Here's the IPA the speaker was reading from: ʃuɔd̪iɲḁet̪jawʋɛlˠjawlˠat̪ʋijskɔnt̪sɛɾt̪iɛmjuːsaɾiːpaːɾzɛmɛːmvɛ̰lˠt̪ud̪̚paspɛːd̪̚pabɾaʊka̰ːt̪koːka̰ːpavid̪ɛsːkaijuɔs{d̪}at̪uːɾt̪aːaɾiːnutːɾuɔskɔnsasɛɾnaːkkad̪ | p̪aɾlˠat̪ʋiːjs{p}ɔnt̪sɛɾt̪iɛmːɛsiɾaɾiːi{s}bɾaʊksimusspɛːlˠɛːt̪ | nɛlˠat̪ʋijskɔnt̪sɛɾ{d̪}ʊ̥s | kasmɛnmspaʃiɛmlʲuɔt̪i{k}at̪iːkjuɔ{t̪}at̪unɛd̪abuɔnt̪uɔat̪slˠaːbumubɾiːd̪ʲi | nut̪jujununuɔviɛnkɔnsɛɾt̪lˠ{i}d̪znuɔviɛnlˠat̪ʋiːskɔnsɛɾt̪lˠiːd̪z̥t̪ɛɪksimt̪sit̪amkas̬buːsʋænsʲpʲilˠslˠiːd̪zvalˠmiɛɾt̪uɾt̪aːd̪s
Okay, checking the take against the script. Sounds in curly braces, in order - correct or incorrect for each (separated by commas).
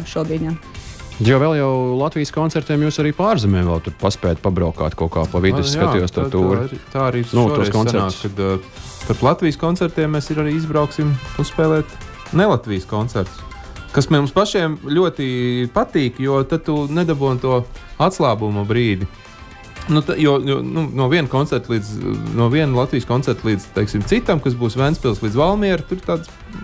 incorrect, incorrect, incorrect, incorrect, incorrect, correct, incorrect